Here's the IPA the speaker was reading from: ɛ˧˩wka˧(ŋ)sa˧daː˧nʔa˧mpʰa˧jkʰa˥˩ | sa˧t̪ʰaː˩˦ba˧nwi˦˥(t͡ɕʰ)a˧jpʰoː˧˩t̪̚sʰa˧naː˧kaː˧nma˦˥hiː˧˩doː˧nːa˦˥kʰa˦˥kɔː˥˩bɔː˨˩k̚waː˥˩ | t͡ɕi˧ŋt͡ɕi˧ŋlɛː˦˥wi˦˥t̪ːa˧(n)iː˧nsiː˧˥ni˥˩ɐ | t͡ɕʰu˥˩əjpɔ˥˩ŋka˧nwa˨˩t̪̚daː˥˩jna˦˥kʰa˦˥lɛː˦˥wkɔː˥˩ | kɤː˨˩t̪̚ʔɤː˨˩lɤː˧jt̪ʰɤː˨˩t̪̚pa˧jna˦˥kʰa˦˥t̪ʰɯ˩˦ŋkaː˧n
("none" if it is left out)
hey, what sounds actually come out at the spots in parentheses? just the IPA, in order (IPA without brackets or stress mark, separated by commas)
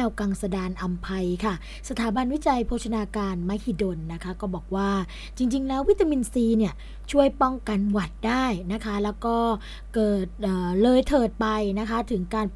ŋ, t͡ɕ, m